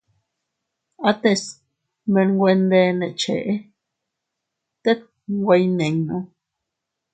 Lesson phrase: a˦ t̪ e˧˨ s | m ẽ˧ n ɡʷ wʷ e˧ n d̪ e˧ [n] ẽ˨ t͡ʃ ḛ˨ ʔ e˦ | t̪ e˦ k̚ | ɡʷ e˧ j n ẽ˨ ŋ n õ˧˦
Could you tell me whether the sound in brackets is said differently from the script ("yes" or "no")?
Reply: no